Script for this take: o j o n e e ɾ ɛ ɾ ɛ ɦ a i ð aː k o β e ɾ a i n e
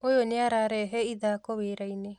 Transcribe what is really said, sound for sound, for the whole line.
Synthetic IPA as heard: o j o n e a ɾ a ɾ ɛ ɦ ɛ i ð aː k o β e ɾ a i n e